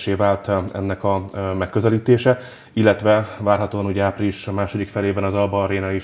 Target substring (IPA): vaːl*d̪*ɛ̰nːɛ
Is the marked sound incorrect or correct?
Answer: incorrect